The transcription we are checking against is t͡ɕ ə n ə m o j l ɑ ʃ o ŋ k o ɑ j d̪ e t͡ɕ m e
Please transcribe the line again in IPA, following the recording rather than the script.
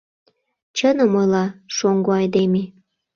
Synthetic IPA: t͡ɕ ə n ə m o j l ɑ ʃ o ŋ ɡ o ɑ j d̪ e m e